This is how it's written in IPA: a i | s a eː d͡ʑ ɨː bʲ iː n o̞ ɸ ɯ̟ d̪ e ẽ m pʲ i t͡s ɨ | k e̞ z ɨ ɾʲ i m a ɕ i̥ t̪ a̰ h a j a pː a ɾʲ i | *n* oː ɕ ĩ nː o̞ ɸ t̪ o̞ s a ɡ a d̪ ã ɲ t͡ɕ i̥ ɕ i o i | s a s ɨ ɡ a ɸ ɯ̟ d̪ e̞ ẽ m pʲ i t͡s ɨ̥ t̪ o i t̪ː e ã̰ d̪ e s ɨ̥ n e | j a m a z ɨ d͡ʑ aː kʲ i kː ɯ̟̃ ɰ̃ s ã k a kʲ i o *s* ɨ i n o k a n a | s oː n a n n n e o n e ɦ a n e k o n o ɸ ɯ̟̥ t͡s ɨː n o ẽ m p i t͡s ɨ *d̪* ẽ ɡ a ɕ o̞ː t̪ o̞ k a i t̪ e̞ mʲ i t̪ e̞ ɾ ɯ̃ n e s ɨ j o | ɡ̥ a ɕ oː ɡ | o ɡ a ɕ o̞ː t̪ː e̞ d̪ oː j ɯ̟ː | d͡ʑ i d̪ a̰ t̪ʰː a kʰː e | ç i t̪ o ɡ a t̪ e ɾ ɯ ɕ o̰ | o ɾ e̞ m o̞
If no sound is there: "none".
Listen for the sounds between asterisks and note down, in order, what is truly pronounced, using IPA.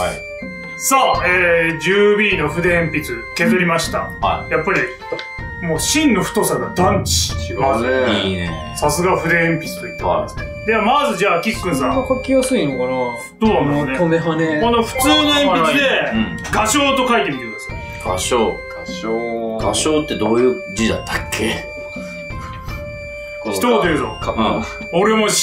m, s, d̪

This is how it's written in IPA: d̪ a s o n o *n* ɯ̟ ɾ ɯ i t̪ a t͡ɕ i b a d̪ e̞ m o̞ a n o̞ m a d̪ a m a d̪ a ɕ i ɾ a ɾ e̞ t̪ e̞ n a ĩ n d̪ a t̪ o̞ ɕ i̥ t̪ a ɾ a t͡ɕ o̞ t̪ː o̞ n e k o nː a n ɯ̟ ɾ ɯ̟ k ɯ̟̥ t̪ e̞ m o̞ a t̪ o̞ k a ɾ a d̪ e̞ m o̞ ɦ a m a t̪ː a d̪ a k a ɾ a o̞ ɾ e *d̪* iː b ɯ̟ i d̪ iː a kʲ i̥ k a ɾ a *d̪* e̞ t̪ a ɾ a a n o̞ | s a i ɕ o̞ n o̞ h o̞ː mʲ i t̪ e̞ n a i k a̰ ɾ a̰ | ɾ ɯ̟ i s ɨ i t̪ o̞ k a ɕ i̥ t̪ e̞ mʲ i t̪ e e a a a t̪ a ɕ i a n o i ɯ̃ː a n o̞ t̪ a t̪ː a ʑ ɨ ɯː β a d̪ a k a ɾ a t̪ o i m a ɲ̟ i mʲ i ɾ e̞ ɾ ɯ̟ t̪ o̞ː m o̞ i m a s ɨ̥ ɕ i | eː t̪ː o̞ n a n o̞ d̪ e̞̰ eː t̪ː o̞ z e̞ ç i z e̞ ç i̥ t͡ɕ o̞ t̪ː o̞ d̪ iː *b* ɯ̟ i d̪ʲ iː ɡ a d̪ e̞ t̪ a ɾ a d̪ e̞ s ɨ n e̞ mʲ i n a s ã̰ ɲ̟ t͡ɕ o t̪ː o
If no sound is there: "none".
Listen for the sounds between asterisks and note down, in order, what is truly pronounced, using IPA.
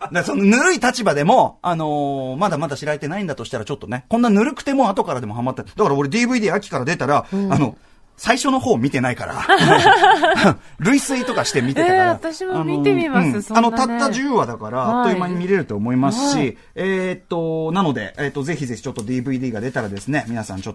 n, d̪, d̪, b

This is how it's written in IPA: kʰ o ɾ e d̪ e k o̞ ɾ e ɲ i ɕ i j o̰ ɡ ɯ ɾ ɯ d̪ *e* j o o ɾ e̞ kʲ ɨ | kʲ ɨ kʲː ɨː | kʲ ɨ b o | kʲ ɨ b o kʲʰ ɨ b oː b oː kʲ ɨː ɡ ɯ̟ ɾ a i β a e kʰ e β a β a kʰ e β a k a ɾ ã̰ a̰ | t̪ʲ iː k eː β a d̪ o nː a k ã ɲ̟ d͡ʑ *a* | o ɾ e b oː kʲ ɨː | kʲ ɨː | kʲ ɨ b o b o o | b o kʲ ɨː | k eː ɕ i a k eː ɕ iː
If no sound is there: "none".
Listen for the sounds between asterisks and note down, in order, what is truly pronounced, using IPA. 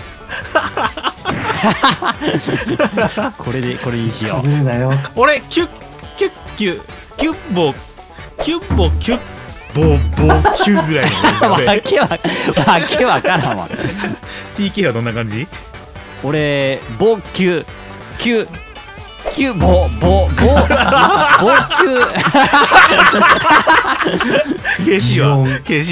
a, i

